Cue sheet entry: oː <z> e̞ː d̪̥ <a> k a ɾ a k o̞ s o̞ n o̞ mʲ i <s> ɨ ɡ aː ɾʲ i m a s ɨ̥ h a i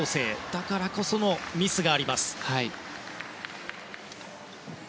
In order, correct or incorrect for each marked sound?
incorrect: s, correct, correct

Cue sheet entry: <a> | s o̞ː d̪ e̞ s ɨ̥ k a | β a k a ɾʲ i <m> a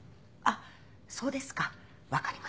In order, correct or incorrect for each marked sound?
correct, correct

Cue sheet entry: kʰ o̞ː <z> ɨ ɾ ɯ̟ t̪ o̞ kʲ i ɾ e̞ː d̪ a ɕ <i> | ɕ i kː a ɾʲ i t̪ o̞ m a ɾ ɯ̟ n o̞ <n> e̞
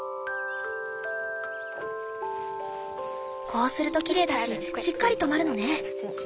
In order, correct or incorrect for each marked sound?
incorrect: s, correct, correct

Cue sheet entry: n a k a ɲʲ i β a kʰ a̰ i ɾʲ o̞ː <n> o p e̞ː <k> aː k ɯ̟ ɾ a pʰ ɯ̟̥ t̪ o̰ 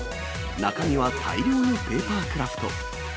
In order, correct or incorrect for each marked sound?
correct, incorrect: p

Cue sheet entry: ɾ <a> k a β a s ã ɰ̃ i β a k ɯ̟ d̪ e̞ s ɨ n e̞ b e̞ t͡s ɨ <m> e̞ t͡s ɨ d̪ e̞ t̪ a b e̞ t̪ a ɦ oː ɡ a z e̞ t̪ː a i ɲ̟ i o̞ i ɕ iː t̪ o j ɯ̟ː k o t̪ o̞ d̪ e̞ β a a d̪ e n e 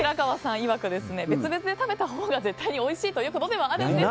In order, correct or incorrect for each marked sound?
correct, incorrect: b

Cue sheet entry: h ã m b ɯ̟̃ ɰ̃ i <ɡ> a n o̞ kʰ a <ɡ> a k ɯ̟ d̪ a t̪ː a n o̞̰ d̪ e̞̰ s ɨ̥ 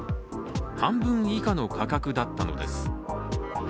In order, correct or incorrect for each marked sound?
incorrect: k, incorrect: k

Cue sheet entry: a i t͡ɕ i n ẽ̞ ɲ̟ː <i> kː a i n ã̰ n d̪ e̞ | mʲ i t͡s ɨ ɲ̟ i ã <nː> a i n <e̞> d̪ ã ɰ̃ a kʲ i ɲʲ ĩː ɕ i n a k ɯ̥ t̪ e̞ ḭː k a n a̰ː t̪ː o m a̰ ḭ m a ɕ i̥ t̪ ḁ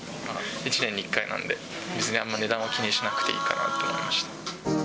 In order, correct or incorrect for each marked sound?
correct, incorrect: mː, correct

